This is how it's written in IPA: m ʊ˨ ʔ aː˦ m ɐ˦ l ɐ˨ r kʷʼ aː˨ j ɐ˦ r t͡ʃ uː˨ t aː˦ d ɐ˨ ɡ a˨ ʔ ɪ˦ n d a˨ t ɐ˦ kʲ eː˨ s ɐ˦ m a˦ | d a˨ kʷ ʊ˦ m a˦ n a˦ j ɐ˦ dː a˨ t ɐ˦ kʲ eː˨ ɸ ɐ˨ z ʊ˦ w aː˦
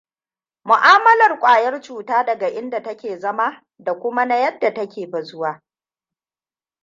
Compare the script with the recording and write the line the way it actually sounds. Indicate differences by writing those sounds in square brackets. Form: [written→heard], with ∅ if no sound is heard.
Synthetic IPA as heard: m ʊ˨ ʔ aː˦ m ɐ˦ l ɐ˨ r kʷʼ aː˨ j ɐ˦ r t͡ʃ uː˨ t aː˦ d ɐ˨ ɡ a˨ ʔ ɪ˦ n d a˨ t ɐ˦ kʲ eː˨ [s→z] ɐ˦ m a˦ | d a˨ kʷ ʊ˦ m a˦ n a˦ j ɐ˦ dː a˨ t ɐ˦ kʲ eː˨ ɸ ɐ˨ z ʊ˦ w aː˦